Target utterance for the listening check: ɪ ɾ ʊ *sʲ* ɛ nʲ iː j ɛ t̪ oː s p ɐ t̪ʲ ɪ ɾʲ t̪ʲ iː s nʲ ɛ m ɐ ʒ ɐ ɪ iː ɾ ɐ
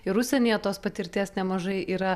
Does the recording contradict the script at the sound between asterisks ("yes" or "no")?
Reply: no